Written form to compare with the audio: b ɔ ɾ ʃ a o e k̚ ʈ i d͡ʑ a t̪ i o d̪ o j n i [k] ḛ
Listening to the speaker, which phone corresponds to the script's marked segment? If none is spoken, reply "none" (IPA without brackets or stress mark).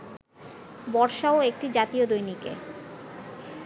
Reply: k